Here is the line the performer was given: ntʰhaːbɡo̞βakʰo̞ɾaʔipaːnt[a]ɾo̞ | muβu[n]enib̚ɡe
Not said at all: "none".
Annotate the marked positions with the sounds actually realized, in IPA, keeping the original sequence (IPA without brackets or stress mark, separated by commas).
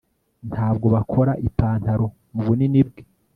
a, n